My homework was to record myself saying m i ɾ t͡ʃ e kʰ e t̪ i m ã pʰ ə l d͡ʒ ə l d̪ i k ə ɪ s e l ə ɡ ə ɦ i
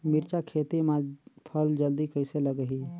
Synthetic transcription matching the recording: m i ɾ t͡ʃ a kʰ e t̪ i m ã pʰ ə l d͡ʒ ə l d̪ i k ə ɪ s e l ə ɡ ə ɦ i